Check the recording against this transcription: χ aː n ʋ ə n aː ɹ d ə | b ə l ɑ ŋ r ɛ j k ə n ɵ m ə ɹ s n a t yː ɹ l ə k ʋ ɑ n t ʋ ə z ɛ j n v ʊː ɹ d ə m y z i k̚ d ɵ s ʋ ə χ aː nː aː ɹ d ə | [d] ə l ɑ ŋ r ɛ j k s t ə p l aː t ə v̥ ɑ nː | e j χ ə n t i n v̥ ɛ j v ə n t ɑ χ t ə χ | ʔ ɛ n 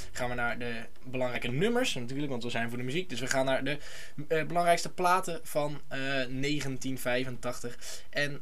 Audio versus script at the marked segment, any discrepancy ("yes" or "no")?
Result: yes